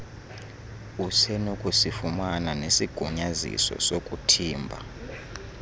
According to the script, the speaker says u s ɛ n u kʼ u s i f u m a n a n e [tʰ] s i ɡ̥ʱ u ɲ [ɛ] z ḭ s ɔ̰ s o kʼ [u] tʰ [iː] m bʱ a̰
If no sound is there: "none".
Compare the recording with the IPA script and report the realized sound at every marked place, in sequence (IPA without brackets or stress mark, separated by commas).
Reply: none, a, u, iː